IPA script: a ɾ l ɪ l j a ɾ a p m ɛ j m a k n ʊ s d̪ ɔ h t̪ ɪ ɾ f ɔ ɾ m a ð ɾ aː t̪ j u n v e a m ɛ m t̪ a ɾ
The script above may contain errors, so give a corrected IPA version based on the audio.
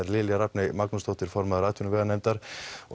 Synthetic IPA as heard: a ɾ l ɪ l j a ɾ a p n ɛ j m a k n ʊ s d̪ ɔ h t̪ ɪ ɾ f ɔ ɾ m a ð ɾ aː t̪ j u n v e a n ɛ m t̪ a ɾ